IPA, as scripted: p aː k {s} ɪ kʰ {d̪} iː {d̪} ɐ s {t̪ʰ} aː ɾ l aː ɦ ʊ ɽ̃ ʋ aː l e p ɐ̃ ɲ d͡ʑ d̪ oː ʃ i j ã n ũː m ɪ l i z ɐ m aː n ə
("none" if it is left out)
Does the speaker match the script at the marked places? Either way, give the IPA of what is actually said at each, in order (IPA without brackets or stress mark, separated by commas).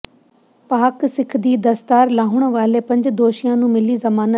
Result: s, d̪, d̪, t̪